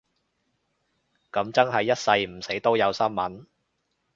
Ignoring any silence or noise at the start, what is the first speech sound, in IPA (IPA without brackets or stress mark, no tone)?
k